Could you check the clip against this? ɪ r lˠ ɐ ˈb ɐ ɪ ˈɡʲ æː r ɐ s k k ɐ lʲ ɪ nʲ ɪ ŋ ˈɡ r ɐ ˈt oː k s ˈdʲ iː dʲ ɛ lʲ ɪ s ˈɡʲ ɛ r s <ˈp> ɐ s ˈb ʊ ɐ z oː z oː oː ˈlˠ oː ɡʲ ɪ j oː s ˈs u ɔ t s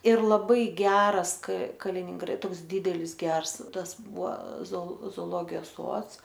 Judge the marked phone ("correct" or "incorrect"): incorrect